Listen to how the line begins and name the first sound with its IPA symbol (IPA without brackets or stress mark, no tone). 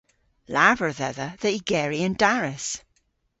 l